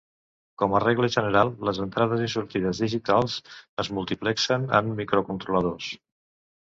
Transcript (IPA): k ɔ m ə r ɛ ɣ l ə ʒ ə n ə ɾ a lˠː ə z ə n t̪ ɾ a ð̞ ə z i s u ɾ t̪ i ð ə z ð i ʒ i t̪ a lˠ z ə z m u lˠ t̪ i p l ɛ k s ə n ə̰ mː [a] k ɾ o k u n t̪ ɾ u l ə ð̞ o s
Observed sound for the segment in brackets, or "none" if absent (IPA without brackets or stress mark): i